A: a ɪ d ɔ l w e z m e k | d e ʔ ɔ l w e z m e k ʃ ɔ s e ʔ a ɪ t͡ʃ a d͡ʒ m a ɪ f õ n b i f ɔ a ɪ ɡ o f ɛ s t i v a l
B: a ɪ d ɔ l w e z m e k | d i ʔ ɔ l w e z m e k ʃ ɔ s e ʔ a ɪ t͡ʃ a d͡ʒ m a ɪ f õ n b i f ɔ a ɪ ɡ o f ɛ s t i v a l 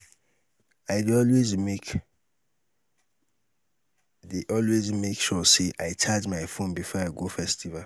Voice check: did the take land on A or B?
A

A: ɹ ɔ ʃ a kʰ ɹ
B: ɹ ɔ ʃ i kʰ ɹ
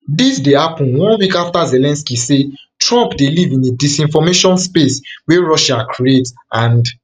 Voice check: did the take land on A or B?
A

